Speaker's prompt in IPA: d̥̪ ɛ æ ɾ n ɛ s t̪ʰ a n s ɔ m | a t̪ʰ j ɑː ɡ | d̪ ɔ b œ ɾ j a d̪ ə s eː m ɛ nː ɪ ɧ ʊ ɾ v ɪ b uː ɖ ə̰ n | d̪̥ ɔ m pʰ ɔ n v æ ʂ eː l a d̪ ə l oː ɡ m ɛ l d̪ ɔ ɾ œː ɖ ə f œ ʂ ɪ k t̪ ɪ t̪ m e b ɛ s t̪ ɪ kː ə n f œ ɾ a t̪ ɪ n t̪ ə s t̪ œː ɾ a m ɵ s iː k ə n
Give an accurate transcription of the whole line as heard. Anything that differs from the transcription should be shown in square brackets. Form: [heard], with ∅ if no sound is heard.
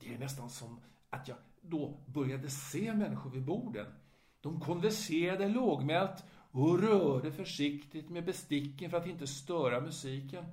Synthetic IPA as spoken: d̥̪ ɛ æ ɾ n ɛ s [t̪] a n s ɔ m | a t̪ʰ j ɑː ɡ | d̪ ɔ b œ ɾ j a d̪ ə s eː m ɛ nː ɪ ɧ ʊ ɾ v ɪ b uː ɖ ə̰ n | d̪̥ ɔ m [kʰ] ɔ n v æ ʂ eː [ɾ] a d̪ ə l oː ɡ m ɛ l [t̪] ɔ ɾ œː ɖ ə f œ ʂ ɪ k t̪ ɪ t̪ m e b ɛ s t̪ ɪ kː ə n f œ ɾ a t̪ ɪ n t̪ ə s t̪ œː ɾ a m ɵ s iː k ə n